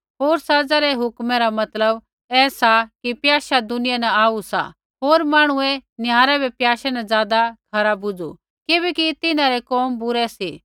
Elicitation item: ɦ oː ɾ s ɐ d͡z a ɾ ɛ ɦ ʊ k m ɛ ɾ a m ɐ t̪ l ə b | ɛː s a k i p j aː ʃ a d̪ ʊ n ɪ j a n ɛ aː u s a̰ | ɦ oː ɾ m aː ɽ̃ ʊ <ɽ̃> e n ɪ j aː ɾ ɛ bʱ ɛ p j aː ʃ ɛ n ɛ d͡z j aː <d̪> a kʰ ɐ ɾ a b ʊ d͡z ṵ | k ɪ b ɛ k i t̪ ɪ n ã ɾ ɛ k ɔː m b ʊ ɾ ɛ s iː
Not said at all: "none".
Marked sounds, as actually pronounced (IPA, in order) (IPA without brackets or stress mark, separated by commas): none, d̪